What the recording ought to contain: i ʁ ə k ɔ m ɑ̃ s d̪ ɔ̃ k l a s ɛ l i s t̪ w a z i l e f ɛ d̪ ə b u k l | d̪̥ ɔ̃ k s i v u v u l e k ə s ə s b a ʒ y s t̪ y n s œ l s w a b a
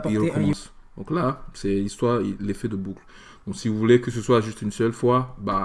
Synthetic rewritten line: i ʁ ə k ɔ m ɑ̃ s d̪ ɔ̃ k l a s ɛ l i s t̪ w a ʁ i l e f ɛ d̪ ə b u k l | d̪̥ ɔ̃ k s i v u v u l e k ə s ə s w a ʒ y s t̪ y n s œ l f w a b a